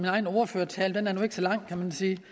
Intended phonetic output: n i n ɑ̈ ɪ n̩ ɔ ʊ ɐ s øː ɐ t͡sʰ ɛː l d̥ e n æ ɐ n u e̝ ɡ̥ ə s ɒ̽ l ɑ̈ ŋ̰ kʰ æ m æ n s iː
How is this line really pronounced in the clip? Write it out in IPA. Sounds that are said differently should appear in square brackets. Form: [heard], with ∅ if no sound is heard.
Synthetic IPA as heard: [m] i n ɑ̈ ɪ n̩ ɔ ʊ ɐ [f] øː ɐ t͡sʰ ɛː l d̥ e n æ ɐ n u e̝ ɡ̥ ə s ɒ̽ l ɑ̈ ŋ̰ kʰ æ m æ n s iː